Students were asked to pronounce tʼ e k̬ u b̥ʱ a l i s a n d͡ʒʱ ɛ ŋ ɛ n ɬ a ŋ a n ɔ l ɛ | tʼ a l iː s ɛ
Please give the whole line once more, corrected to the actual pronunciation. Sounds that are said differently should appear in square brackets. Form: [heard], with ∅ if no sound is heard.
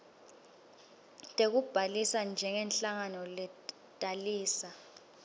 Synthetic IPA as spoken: tʼ e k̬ u b̥ʱ a l i s a n d͡ʒʱ ɛ ŋ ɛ n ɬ a ŋ a n ɔ l ɛ | tʼ a l iː s [a]